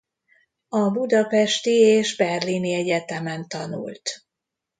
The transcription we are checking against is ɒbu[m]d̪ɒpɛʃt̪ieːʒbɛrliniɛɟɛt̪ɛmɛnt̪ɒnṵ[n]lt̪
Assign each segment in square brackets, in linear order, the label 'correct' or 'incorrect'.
incorrect, incorrect

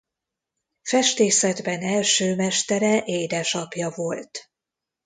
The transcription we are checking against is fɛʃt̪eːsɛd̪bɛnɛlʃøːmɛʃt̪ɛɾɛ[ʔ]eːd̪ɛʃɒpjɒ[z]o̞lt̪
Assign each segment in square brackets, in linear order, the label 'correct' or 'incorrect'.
correct, incorrect

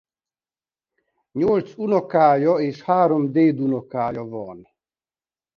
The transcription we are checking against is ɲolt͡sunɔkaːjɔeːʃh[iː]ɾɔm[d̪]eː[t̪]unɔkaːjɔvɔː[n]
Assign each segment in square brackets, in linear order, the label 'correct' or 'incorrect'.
incorrect, correct, incorrect, correct

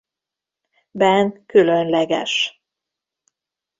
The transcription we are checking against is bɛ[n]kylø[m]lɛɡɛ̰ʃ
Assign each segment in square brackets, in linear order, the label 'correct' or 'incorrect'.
correct, incorrect

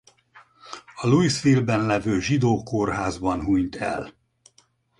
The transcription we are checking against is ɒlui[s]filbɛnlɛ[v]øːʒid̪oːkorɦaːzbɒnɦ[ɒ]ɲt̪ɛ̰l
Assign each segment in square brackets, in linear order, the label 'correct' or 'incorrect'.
correct, correct, incorrect

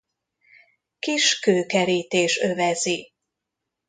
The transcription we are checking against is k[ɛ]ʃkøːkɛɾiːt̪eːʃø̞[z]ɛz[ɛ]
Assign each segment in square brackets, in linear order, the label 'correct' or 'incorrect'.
incorrect, incorrect, incorrect

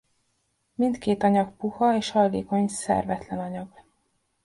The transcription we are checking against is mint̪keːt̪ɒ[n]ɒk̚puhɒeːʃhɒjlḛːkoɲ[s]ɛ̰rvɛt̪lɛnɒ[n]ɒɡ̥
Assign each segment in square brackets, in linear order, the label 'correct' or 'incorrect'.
incorrect, correct, incorrect

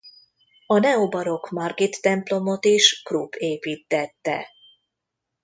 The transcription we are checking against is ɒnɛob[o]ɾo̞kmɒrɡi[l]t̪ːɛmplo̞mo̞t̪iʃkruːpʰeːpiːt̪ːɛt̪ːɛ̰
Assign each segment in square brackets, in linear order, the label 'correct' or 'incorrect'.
incorrect, incorrect

